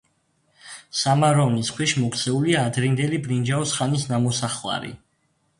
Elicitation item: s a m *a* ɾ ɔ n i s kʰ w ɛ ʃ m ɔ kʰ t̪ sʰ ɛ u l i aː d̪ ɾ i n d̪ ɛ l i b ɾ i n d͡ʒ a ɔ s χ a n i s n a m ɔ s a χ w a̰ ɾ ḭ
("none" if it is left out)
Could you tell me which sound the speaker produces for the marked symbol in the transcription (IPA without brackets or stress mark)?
a